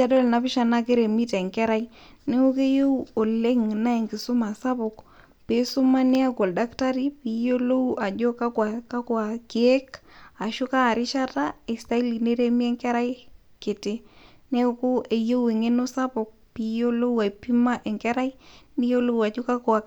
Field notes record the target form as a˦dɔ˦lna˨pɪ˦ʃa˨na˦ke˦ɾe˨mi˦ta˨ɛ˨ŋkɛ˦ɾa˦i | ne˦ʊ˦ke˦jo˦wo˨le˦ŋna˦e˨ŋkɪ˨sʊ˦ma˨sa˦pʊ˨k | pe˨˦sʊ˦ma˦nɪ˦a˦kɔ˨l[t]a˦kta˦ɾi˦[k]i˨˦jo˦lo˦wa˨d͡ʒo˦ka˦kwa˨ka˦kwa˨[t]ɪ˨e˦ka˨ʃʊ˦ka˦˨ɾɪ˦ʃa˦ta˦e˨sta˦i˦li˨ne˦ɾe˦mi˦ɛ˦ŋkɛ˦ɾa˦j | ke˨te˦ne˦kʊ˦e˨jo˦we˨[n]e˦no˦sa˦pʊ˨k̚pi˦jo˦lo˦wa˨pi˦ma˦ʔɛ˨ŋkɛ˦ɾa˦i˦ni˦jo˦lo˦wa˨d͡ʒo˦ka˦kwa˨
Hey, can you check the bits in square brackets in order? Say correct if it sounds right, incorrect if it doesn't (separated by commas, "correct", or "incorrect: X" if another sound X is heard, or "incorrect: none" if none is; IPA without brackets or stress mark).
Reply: incorrect: d, incorrect: p, incorrect: k, incorrect: ŋ